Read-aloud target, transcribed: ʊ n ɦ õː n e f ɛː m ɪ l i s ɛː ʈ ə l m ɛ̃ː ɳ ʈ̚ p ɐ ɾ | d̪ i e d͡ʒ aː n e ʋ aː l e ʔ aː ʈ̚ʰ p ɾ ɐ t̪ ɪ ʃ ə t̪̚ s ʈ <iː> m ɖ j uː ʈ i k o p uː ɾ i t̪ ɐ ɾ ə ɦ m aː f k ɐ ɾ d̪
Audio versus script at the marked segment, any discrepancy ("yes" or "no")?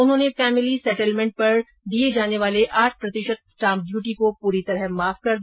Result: yes